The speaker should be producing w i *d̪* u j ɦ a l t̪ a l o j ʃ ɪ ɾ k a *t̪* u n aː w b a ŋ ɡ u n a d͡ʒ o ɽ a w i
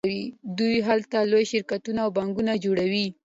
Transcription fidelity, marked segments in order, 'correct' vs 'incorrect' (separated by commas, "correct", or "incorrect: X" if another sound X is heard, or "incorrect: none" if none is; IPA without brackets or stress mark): correct, correct